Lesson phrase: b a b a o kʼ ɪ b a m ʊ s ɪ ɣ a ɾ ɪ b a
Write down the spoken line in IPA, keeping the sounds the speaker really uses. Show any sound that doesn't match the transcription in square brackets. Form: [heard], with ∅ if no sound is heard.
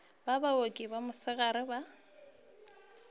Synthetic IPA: b a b a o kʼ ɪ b a m ʊ s ɪ ɣ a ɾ ɪ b a